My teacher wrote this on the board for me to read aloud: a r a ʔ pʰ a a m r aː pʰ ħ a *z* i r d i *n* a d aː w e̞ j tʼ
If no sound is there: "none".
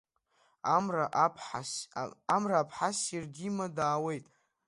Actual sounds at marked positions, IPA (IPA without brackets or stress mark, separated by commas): s, m